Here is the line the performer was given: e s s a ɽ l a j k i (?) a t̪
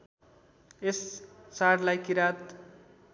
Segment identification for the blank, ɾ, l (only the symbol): ɾ